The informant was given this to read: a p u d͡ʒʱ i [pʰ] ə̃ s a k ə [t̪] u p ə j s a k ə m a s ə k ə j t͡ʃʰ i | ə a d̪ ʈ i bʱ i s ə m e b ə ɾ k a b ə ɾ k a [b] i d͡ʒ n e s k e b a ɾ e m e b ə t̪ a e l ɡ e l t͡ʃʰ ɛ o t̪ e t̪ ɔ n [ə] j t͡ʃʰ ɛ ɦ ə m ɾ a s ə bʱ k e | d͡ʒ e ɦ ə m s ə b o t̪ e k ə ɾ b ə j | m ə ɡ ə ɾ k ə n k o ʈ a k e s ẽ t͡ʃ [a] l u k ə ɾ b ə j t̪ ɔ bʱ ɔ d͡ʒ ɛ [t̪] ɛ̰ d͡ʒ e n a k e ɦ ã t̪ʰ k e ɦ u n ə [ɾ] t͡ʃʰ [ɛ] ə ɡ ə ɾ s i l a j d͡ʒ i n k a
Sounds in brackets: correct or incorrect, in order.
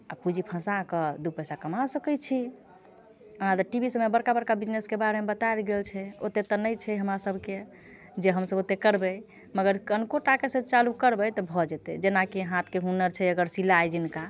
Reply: correct, incorrect, correct, correct, correct, correct, correct, correct

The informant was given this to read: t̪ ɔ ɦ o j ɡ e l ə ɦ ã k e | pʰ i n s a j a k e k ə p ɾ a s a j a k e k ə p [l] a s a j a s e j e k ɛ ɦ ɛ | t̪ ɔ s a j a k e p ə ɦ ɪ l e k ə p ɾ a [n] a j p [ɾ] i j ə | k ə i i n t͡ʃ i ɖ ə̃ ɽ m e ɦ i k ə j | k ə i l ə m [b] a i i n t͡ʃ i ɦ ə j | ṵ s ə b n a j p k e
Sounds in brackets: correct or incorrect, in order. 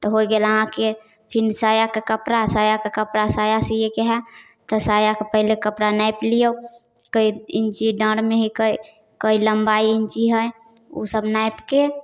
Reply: incorrect, correct, incorrect, correct

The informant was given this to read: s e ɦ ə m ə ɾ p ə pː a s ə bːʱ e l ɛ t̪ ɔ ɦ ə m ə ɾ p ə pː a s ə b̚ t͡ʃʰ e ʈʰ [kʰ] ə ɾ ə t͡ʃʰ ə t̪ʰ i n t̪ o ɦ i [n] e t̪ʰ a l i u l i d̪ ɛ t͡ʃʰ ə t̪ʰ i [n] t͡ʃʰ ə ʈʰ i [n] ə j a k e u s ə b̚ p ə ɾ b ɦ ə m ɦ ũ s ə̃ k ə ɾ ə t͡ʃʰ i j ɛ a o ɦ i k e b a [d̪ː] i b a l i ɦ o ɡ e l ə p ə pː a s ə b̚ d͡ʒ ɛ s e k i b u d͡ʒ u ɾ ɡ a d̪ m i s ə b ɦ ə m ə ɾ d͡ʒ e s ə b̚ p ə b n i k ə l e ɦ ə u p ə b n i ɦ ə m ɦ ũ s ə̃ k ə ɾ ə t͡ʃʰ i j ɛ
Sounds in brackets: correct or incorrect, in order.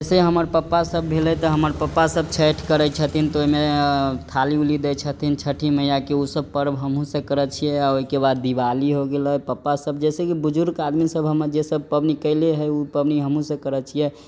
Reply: incorrect, incorrect, correct, incorrect, correct

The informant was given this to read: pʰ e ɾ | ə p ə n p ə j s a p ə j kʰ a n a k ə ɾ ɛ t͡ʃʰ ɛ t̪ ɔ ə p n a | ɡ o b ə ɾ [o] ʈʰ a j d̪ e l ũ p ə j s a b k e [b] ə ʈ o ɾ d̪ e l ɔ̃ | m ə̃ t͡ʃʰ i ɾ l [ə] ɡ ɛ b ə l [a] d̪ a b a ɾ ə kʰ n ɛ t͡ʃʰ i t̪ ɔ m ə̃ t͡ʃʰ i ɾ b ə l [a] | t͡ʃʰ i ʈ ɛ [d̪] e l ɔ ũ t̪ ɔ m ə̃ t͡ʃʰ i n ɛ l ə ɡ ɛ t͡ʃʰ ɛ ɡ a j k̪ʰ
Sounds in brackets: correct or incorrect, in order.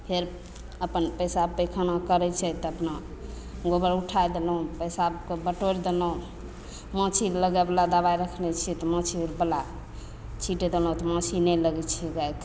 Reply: incorrect, correct, correct, correct, correct, correct

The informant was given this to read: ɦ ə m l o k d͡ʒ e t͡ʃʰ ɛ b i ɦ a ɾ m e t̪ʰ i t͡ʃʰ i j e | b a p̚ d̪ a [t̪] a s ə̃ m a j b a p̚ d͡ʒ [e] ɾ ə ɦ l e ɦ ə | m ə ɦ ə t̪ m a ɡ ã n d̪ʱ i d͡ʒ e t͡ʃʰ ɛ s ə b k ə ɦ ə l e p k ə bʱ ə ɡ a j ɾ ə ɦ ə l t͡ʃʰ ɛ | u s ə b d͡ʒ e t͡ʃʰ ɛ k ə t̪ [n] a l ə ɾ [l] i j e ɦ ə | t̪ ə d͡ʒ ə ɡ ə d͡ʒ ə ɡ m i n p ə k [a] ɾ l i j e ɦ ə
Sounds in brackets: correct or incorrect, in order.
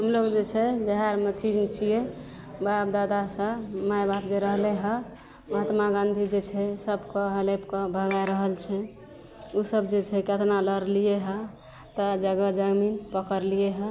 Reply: incorrect, correct, correct, correct, incorrect

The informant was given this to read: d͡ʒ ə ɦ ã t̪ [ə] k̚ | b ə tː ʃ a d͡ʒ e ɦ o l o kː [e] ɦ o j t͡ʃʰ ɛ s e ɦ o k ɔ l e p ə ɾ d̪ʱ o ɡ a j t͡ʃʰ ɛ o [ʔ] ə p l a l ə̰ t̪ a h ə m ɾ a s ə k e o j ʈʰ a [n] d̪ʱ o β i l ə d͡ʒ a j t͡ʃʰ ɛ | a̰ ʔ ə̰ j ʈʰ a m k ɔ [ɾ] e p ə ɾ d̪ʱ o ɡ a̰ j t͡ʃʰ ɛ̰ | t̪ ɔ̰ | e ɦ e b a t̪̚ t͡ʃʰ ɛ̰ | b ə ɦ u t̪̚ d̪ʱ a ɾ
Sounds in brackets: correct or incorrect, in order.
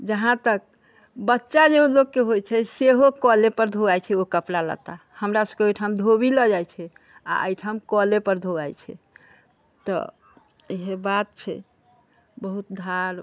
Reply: correct, correct, incorrect, incorrect, incorrect

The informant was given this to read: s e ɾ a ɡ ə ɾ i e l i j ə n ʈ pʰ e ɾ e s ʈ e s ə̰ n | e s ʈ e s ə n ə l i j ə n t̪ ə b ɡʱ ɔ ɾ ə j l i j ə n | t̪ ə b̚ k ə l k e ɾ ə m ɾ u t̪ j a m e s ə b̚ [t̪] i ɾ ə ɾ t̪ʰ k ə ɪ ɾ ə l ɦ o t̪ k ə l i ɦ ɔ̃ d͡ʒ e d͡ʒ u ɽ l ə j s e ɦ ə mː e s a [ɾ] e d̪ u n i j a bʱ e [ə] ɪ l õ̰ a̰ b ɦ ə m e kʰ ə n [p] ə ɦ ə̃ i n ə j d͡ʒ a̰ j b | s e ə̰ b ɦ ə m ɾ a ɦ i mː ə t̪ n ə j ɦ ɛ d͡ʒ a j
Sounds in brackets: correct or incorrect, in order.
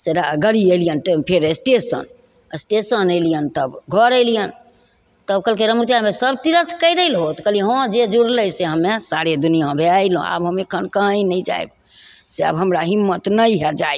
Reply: correct, correct, incorrect, incorrect

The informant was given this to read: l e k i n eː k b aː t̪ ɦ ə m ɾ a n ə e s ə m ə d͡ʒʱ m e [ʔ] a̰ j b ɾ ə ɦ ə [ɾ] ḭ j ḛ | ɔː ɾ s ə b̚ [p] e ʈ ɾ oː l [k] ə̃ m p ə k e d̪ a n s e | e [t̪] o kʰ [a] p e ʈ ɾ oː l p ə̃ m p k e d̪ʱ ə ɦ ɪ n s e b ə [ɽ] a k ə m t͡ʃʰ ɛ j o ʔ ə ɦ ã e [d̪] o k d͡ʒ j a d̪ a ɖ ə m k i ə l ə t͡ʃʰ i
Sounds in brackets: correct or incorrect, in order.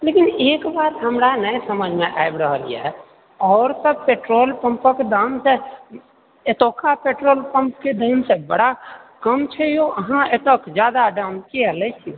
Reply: correct, incorrect, correct, incorrect, correct, correct, correct, incorrect

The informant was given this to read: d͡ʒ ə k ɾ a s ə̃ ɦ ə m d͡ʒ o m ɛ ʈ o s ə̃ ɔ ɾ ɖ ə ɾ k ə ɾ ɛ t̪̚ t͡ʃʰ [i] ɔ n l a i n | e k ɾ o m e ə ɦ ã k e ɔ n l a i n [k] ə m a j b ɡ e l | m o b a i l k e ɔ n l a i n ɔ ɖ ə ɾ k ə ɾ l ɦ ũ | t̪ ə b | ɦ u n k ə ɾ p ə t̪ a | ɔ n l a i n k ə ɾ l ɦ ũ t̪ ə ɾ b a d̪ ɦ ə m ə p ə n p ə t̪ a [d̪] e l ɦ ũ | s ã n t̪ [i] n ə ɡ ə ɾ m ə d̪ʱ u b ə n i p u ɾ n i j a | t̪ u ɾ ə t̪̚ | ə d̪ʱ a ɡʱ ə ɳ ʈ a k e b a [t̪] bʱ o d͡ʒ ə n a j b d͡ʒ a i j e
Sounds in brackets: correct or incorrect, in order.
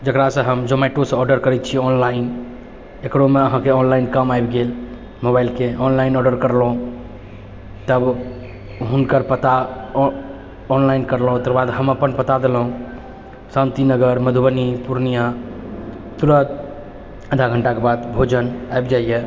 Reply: correct, correct, correct, correct, incorrect

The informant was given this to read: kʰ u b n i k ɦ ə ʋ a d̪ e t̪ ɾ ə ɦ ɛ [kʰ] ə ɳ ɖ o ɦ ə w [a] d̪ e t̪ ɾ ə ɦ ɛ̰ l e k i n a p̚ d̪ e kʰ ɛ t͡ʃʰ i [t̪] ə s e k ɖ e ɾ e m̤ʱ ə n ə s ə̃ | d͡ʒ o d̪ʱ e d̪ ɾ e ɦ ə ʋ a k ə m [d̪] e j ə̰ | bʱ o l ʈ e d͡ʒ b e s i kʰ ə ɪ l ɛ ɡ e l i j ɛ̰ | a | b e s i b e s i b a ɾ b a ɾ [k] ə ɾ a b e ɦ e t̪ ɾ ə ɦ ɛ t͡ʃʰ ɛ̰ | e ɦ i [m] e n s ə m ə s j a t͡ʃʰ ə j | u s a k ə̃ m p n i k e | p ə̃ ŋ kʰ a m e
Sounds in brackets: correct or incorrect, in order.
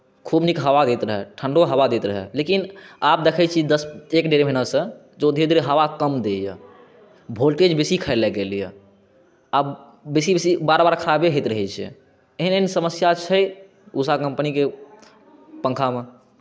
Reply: incorrect, correct, incorrect, correct, incorrect, incorrect

